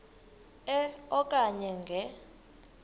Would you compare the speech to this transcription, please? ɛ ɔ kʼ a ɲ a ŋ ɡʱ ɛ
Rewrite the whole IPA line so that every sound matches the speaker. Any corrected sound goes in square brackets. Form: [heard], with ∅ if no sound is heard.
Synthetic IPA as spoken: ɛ ɔ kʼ a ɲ [ɛ] ŋ ɡʱ ɛ